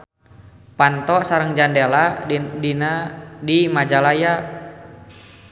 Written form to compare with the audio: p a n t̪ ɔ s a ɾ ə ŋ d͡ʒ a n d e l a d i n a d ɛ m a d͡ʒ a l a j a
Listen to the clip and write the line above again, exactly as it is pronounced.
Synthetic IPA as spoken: p a n t̪ ɔ s a ɾ ə ŋ d͡ʒ a n d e l a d i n a d i m a d͡ʒ a l a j a